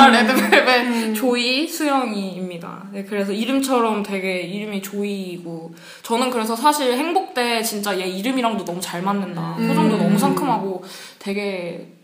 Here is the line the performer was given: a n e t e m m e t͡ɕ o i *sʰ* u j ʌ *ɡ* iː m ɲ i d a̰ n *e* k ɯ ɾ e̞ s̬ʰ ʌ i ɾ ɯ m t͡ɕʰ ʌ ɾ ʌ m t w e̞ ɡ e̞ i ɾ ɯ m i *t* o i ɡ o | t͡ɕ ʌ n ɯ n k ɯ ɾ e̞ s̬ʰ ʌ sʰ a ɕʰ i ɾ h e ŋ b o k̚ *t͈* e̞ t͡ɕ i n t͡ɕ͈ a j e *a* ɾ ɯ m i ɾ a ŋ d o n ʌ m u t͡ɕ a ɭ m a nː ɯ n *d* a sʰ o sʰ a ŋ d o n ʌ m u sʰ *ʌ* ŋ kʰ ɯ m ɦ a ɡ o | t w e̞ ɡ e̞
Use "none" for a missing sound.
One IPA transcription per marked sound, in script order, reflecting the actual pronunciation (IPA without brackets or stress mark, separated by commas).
sʰ, ŋ, e, t͡ɕ, t͈, i, d, a